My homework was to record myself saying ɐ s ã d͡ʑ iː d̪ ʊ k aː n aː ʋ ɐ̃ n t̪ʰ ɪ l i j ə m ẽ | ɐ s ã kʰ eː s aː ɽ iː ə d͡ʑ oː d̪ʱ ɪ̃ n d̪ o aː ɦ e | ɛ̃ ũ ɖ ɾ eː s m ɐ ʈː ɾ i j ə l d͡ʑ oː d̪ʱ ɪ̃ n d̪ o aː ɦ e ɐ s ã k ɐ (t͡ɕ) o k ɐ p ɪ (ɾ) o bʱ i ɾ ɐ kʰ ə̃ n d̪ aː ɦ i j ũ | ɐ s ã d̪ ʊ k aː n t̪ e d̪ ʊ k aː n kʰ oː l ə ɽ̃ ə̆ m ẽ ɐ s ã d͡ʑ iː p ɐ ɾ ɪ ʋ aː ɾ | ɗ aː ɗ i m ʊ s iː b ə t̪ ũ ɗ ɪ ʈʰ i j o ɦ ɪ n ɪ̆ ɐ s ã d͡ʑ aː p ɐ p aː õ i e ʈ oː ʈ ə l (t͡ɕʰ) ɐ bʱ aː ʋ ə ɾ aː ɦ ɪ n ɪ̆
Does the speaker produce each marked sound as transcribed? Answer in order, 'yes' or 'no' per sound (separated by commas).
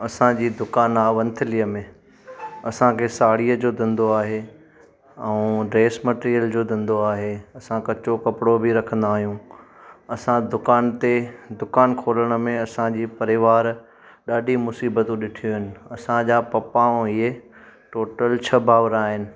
yes, no, yes